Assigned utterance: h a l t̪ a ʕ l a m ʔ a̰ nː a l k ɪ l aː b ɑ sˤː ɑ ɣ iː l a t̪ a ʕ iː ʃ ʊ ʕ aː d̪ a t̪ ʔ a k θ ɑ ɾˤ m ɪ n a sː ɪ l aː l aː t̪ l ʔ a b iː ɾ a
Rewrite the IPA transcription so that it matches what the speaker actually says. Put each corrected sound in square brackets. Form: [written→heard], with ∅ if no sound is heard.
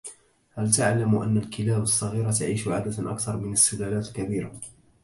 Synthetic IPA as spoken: h a l t̪ a ʕ l a m ʔ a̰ nː a l k ɪ l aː b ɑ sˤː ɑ ɣ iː [l→ɾ] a t̪ a ʕ iː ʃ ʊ ʕ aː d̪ a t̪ ʔ a k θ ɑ ɾˤ m ɪ n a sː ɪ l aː l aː t̪ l [ʔ→k] a b iː ɾ a